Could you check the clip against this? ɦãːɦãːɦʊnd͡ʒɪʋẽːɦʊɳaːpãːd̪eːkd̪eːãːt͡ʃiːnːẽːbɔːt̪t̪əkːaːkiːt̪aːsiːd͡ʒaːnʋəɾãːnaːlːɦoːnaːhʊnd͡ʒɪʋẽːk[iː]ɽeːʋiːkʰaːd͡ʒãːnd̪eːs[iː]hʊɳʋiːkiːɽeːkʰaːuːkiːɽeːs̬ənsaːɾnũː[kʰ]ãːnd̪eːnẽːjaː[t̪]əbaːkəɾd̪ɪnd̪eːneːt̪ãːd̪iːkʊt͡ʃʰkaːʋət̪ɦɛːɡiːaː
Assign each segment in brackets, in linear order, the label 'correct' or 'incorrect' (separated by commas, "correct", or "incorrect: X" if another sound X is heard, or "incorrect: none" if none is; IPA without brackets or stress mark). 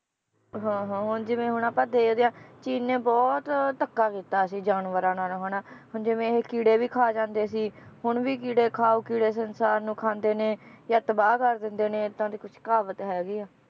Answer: correct, correct, correct, correct